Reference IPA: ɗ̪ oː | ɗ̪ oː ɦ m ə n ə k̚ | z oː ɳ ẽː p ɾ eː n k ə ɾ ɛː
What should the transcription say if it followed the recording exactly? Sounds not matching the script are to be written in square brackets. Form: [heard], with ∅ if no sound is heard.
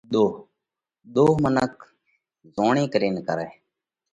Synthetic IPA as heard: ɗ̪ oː | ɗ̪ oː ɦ m ə n ə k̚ | z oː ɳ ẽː [k] ɾ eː n k ə ɾ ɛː